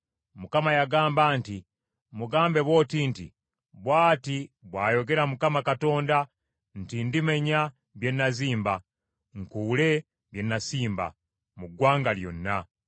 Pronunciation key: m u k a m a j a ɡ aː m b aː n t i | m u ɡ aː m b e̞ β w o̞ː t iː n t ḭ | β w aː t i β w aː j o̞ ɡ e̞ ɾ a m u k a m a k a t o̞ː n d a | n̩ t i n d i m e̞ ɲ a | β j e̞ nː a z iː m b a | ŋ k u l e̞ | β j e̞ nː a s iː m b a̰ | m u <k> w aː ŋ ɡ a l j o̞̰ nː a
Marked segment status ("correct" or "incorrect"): incorrect